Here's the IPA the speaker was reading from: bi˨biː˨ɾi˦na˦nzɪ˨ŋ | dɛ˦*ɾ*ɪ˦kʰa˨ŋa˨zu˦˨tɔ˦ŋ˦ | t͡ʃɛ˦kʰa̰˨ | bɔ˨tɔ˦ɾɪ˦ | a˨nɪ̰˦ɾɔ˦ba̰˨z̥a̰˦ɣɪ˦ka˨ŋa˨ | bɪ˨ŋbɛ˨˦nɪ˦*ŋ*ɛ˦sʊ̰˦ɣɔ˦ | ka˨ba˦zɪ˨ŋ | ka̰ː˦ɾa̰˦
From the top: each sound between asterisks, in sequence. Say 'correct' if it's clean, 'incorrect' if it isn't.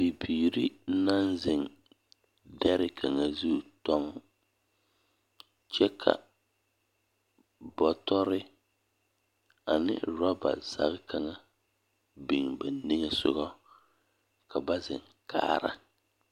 correct, correct

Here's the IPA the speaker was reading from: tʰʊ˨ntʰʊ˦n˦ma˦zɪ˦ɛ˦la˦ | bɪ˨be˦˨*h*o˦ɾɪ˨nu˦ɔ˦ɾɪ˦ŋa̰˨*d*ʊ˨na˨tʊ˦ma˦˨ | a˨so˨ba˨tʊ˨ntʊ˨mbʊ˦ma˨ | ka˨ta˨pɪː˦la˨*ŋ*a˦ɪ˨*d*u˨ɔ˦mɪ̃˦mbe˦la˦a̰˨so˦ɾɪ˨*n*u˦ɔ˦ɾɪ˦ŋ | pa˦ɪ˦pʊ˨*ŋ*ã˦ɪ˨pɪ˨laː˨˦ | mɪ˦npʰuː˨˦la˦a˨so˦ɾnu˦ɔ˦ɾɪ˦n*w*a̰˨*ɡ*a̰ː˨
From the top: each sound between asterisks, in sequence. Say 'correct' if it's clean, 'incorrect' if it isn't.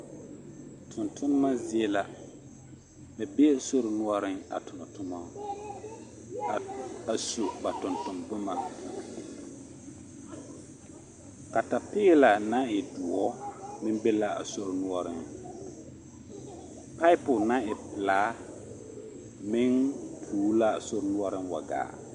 incorrect: s, incorrect: t, incorrect: n, correct, correct, incorrect: n, correct, correct

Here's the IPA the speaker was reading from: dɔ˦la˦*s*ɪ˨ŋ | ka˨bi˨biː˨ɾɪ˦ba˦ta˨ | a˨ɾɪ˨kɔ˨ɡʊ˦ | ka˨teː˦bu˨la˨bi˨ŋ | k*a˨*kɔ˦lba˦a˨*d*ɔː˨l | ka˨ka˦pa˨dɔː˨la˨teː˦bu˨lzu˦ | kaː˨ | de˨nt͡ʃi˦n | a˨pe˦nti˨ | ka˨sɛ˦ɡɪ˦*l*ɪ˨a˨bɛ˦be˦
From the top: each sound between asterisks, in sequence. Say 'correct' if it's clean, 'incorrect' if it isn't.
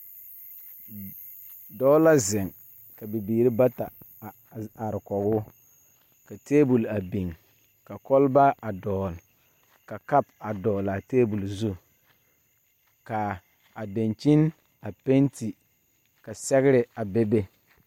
incorrect: z, correct, correct, incorrect: ɾ

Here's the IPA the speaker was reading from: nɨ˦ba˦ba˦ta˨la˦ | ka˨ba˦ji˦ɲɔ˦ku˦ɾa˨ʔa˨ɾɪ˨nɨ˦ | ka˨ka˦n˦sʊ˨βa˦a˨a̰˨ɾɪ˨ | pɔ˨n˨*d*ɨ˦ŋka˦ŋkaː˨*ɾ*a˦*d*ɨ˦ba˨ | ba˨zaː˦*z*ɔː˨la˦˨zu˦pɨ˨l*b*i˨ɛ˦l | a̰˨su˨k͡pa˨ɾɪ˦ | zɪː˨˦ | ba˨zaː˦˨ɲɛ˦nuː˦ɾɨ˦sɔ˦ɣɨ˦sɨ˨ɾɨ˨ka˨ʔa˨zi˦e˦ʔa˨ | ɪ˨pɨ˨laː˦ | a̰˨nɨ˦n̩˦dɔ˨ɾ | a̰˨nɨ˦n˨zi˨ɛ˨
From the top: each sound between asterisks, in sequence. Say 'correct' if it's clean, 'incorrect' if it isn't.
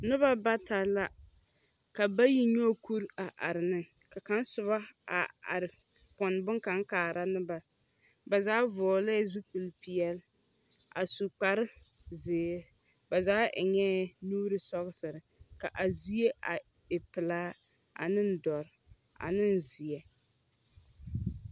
incorrect: b, correct, incorrect: n, incorrect: v, incorrect: p

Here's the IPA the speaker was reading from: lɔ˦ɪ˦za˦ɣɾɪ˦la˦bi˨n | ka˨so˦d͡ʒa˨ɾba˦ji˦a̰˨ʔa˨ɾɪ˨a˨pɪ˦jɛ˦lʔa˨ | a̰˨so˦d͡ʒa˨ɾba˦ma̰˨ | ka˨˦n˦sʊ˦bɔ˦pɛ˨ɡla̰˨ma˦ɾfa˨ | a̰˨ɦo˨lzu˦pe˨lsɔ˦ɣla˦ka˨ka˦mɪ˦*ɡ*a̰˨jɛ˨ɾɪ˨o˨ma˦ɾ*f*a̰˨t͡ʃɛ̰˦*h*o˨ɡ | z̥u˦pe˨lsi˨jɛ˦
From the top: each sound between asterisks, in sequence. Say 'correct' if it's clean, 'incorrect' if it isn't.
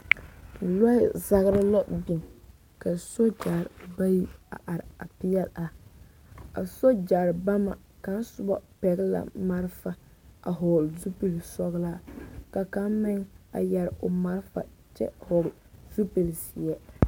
incorrect: ŋ, correct, correct

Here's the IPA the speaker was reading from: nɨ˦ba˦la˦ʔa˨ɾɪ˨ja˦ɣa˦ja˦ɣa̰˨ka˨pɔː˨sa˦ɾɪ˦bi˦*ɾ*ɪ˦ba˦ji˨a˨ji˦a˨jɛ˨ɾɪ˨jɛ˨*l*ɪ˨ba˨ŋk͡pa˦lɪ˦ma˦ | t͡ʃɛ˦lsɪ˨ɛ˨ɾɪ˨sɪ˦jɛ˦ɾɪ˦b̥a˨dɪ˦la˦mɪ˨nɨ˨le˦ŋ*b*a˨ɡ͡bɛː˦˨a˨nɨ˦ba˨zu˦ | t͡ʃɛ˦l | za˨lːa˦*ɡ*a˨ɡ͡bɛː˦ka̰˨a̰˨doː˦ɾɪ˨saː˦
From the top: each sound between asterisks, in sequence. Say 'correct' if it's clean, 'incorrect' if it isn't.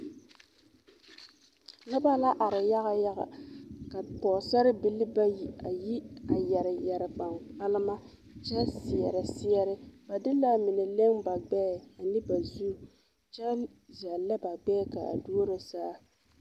incorrect: l, incorrect: ɾ, correct, incorrect: b

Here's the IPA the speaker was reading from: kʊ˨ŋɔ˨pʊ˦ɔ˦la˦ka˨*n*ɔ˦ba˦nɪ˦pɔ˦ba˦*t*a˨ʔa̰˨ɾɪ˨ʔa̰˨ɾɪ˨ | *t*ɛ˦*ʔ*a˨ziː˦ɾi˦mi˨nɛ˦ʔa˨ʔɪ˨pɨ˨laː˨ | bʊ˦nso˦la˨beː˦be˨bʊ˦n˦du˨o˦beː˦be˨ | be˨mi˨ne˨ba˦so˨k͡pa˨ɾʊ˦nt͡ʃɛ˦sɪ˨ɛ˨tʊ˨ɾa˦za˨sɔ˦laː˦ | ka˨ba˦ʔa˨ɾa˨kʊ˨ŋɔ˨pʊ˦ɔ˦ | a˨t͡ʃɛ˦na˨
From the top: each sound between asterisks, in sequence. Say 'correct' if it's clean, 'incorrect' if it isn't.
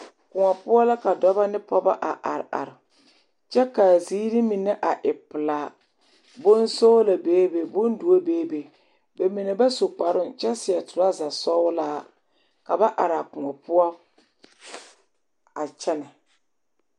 incorrect: d, incorrect: ʔ, incorrect: t͡ʃ, incorrect: k

